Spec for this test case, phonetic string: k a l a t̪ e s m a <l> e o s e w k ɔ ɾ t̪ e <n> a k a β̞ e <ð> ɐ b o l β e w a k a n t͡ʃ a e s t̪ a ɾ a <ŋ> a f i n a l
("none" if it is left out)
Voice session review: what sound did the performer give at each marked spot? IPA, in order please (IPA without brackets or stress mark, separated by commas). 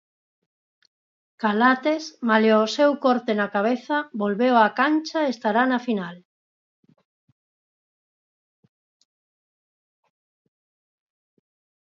l, n, θ, n